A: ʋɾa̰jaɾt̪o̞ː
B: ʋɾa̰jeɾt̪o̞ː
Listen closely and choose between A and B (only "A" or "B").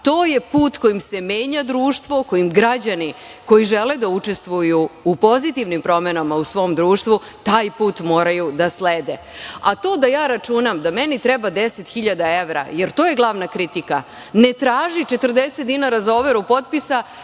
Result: B